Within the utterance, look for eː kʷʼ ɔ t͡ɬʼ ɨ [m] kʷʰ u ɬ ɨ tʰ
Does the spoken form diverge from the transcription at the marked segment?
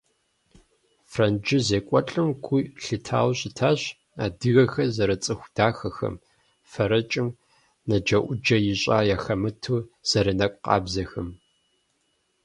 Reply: no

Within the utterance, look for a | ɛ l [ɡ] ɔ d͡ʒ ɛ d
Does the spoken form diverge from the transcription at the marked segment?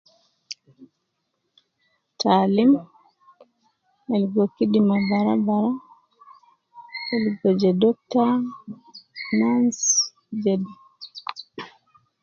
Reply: no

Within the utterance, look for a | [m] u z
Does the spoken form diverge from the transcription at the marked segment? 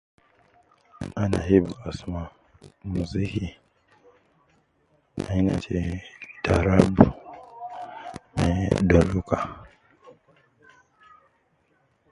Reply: no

